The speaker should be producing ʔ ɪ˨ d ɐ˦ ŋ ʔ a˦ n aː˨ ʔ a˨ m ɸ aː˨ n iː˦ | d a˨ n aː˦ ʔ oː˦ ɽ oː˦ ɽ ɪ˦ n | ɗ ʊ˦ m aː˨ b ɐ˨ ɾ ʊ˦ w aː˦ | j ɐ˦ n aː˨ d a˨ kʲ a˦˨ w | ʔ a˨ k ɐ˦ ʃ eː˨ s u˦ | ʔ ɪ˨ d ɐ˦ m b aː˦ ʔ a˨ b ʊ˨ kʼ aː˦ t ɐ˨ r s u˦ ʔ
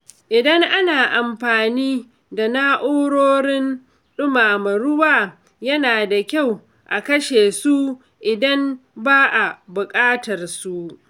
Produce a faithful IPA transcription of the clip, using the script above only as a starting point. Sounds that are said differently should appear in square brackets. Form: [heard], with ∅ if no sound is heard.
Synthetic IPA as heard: ʔ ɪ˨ d ɐ˦ ŋ ʔ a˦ n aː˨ ʔ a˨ m ɸ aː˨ n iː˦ | d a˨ n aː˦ ʔ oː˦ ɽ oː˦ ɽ ɪ˦ n | ɗ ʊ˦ m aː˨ [m] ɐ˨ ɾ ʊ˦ w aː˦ | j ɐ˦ n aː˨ d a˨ kʲ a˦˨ w | ʔ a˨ k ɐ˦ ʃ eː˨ s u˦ | ʔ ɪ˨ d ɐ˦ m b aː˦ ʔ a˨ b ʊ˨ kʼ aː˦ t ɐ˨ r s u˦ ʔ